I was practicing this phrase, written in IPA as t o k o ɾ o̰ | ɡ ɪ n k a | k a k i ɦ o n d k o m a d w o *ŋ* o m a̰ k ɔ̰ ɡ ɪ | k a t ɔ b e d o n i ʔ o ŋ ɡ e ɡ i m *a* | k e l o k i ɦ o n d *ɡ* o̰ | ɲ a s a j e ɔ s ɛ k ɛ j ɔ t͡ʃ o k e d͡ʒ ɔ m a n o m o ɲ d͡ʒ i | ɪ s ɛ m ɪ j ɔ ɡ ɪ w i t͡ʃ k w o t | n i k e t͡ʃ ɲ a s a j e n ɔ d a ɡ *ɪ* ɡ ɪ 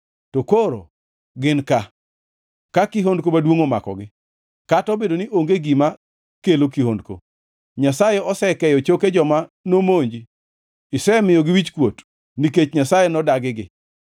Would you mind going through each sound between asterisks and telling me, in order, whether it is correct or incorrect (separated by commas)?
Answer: correct, correct, incorrect, correct